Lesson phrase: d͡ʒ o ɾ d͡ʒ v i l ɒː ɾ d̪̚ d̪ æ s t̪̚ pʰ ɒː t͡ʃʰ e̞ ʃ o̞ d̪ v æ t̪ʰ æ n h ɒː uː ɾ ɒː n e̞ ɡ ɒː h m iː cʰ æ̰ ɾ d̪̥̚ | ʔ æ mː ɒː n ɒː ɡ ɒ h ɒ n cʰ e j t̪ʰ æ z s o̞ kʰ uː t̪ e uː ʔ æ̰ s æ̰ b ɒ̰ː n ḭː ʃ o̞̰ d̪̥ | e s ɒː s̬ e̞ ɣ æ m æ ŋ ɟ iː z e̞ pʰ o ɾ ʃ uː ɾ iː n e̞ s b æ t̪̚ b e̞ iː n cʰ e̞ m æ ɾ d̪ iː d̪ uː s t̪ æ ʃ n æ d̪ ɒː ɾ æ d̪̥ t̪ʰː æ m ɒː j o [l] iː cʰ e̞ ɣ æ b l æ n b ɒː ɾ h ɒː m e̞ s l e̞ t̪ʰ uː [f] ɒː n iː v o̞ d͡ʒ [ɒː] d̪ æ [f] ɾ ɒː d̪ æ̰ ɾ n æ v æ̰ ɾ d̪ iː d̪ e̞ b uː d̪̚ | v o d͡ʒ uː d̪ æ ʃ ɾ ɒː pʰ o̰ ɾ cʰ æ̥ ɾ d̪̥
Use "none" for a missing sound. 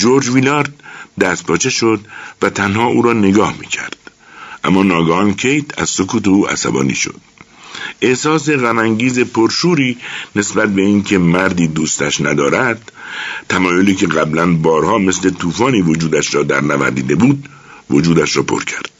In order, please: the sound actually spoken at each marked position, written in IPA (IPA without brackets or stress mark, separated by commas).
l, f, uː, ʃ